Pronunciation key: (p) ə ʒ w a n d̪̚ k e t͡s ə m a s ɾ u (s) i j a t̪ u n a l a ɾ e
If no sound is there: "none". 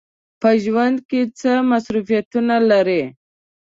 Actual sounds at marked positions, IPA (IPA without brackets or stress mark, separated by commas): p, f